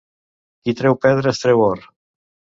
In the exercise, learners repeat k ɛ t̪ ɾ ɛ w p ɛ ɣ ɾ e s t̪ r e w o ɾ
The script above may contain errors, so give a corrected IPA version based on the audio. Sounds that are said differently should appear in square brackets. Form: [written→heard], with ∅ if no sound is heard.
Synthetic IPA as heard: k [ɛ→i] t̪ ɾ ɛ w p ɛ [ɣ→ð] ɾ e s t̪ [r→ɾ] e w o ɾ